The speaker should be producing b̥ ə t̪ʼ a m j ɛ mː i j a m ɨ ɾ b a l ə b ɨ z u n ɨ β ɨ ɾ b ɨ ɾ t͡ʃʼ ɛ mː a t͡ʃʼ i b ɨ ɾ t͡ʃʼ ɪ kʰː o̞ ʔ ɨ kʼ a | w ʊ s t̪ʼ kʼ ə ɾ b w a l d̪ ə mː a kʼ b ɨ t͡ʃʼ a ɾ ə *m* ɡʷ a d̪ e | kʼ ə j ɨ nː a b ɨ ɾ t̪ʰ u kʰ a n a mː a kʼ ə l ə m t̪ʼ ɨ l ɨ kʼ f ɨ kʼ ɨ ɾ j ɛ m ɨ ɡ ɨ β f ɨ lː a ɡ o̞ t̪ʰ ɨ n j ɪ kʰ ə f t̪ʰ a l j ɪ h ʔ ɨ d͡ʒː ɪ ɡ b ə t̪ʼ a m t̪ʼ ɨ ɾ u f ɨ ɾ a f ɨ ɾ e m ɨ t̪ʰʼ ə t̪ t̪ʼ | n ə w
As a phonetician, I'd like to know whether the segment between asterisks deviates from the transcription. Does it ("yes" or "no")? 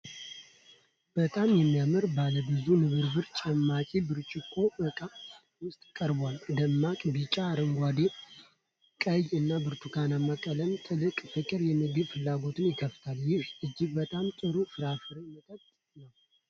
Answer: yes